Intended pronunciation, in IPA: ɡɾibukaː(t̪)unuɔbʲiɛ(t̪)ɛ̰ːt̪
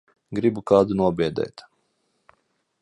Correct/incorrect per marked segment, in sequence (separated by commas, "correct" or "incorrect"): incorrect, incorrect